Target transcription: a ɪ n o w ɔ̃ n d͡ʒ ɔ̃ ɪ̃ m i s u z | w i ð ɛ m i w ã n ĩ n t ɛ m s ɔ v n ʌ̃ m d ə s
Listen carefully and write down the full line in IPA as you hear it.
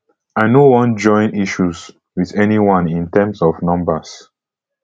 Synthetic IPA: a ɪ n o w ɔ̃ n d͡ʒ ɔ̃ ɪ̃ n i ʃ u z | w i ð ɛ n i w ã n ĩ n t ɛ m s ɔ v n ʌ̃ m b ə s